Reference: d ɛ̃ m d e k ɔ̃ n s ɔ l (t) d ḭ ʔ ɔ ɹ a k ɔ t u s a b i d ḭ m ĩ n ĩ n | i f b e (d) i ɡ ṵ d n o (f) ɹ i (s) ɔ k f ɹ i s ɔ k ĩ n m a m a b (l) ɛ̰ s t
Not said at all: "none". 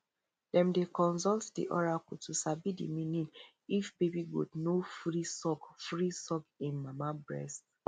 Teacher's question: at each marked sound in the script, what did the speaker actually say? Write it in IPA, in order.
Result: t, b, f, s, ɹ

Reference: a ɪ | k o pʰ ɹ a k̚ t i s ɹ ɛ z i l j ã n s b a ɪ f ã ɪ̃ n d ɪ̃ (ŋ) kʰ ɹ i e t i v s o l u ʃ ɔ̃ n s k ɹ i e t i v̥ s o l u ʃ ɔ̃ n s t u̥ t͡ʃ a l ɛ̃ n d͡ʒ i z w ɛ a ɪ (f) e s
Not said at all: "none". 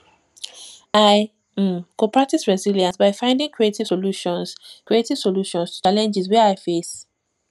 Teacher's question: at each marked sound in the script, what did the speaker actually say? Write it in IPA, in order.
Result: ŋ, f

